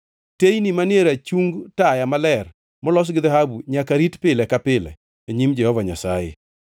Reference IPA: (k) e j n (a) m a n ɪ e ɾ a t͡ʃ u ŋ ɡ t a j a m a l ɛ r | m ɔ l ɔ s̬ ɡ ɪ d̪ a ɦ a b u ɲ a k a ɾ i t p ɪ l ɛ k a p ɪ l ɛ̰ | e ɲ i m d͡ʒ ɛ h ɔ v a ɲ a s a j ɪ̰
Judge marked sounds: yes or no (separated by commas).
no, no